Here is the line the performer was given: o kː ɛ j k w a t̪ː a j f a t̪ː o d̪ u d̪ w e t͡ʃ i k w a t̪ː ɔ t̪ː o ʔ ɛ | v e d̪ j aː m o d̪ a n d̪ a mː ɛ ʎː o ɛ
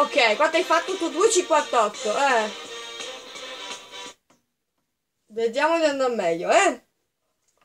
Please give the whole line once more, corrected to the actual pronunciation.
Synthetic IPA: o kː ɛ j k w a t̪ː a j f a t̪ː o t̪ u d̪ u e t͡ʃ i k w a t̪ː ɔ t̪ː o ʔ ɛ | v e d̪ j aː m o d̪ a n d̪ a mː ɛ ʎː o ɛ